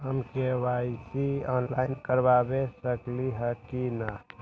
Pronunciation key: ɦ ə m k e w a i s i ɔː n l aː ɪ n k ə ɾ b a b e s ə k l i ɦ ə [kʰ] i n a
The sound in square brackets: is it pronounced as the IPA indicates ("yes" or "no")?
no